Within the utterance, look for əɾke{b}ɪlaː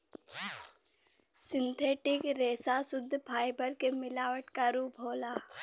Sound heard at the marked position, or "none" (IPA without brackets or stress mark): m